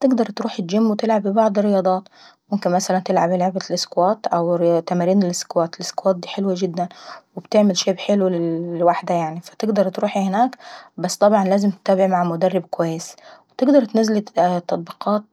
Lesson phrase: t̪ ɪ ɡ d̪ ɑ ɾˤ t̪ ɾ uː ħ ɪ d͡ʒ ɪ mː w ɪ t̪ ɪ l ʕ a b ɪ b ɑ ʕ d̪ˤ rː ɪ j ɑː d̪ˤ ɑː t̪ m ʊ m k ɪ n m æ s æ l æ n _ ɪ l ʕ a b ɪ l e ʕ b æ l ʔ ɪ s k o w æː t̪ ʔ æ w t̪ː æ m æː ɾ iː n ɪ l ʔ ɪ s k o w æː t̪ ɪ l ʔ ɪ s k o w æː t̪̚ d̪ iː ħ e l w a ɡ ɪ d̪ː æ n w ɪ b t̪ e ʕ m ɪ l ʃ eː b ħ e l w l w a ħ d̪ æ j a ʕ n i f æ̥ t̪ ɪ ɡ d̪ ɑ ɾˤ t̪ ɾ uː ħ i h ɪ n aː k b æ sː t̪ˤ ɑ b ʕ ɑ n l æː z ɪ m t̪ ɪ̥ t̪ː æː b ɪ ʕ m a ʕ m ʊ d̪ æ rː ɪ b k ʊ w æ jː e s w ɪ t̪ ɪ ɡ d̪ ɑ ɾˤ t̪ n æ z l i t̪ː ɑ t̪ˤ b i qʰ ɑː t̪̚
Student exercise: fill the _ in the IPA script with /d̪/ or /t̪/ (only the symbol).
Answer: t̪